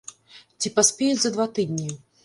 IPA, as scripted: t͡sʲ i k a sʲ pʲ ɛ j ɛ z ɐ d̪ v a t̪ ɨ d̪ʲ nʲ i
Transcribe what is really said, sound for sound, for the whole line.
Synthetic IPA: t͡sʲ i p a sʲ pʲ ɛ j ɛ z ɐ d̪ v a t̪ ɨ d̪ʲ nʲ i